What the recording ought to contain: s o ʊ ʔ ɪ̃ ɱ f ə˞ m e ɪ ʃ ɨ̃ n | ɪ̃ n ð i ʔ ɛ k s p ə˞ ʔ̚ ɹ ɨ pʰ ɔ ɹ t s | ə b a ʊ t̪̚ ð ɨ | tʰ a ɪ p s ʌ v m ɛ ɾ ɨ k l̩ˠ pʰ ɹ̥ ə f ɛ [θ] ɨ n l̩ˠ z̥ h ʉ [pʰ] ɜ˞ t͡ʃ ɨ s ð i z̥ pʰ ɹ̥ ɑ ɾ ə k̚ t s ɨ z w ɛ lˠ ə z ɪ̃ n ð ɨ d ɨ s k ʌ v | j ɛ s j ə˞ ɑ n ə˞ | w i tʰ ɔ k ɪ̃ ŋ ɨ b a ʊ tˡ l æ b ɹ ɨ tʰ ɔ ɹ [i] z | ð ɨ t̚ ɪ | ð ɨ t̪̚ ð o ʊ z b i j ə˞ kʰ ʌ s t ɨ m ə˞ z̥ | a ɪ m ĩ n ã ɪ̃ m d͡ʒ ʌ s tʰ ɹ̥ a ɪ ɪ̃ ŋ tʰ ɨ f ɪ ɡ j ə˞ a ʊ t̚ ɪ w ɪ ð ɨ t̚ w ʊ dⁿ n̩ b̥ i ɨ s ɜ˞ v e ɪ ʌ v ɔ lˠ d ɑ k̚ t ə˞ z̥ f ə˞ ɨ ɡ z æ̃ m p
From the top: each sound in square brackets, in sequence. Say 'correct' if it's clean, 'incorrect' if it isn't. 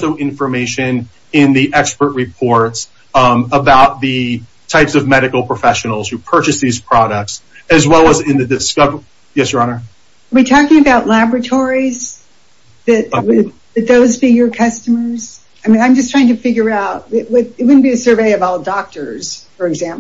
incorrect: ʃ, correct, correct

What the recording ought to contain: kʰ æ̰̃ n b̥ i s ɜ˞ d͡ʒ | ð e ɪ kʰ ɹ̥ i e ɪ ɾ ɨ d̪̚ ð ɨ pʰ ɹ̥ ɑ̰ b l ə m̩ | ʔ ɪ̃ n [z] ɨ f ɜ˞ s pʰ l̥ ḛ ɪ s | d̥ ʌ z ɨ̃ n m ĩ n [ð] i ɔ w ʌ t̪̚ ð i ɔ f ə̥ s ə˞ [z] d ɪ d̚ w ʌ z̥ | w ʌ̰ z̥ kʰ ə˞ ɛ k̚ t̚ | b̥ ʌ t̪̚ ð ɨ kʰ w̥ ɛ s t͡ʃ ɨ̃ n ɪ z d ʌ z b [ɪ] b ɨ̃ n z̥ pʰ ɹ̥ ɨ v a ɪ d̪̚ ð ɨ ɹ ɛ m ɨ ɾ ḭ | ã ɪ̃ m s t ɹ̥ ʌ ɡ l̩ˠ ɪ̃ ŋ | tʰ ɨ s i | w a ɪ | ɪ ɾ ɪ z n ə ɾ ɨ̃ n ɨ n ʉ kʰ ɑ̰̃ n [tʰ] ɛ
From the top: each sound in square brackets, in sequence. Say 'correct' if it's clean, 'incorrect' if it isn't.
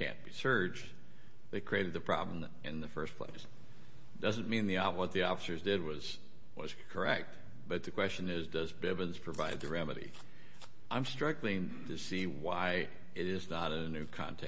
incorrect: ð, correct, correct, correct, correct

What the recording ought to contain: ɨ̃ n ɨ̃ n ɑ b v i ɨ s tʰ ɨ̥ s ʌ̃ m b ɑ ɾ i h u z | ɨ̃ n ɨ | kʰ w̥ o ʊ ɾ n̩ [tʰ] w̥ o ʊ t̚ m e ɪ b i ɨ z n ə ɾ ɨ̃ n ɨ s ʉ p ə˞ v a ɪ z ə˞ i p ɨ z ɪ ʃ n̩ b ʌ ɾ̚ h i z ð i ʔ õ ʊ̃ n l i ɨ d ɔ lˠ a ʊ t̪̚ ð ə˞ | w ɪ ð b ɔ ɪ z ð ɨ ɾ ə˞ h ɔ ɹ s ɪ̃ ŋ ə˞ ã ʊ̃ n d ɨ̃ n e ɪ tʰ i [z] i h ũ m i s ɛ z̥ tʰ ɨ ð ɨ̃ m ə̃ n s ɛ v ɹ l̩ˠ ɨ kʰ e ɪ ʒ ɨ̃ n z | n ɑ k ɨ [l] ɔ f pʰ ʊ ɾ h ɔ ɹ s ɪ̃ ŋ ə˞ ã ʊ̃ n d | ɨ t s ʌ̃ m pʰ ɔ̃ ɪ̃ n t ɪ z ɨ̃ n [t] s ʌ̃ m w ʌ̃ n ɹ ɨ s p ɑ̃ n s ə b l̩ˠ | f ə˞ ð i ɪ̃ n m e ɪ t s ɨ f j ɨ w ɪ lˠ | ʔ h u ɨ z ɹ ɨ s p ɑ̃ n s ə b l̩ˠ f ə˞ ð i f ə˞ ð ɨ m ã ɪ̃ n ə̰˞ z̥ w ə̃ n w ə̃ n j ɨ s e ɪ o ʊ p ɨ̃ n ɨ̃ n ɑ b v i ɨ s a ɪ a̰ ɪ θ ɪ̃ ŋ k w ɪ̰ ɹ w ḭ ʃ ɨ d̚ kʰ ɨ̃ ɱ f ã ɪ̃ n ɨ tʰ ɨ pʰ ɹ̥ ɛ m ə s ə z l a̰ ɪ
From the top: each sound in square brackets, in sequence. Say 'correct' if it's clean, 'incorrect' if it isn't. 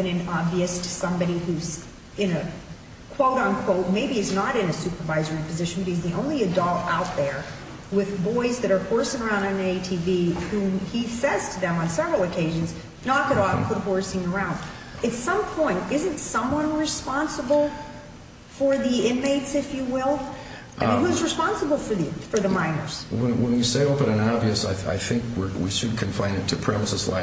incorrect: kʰ, incorrect: v, incorrect: ɾ, correct

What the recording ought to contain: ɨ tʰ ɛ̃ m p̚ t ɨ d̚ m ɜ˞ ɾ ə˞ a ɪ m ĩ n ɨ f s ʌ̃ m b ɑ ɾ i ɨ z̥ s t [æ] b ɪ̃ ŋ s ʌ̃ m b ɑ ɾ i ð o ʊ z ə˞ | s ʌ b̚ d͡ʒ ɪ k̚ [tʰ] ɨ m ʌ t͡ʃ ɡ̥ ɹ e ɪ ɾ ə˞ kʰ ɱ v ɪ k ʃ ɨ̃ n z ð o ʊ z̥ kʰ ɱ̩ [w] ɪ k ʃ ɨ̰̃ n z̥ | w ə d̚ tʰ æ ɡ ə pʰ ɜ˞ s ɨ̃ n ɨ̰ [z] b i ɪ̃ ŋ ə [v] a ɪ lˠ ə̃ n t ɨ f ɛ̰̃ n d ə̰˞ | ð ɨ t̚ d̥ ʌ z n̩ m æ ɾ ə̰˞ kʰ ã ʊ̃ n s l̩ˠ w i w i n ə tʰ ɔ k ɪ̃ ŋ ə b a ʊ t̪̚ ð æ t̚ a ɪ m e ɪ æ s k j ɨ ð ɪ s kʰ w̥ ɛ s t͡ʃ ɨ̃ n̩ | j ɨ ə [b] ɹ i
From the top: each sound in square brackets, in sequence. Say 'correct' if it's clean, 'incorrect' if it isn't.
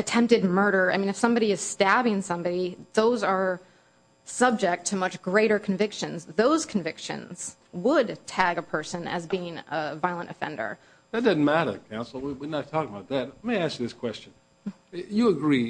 correct, correct, incorrect: v, correct, correct, incorrect: ɡ

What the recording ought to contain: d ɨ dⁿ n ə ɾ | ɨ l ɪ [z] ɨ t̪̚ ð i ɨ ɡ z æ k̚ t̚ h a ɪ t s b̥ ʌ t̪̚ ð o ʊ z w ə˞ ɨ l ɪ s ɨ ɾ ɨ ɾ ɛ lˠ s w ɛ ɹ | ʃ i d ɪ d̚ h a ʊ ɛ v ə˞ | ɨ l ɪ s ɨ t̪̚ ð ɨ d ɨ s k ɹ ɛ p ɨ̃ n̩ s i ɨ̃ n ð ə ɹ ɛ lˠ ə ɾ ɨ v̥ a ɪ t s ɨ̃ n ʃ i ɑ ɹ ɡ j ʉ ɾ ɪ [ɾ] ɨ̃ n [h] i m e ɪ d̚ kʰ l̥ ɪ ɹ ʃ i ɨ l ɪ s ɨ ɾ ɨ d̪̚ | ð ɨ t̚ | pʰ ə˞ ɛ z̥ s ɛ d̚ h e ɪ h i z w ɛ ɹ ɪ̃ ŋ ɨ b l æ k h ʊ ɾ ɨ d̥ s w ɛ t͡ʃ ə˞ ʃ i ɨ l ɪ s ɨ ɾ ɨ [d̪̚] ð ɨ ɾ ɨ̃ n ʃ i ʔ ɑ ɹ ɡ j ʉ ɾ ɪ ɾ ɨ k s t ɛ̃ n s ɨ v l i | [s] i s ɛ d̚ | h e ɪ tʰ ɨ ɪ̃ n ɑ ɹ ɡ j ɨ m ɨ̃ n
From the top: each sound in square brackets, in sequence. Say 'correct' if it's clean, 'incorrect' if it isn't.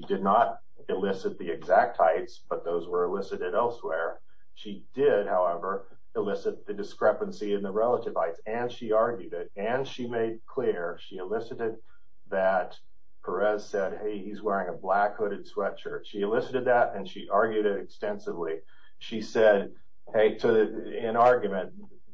incorrect: s, correct, incorrect: ʃ, correct, incorrect: ʃ

